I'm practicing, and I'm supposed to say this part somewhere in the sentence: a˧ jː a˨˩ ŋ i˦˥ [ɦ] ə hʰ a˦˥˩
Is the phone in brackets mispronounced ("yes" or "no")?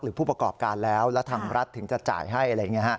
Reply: yes